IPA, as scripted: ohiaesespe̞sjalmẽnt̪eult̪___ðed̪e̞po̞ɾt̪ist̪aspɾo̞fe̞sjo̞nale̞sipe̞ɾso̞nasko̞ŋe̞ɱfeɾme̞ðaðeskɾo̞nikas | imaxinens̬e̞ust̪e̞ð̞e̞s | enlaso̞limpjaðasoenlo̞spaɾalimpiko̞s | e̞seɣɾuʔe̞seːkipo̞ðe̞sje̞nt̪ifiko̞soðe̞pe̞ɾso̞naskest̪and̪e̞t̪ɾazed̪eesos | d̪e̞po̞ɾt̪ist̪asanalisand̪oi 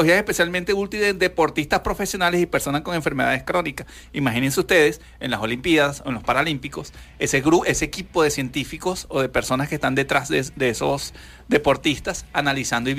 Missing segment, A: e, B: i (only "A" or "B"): B